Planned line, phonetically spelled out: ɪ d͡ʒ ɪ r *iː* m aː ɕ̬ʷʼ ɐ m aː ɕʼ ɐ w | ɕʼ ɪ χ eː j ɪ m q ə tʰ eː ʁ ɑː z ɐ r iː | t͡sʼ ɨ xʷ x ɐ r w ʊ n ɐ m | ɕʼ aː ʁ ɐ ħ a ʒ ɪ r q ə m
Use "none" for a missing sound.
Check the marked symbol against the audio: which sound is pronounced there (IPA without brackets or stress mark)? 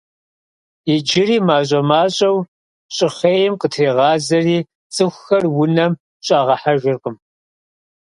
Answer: iː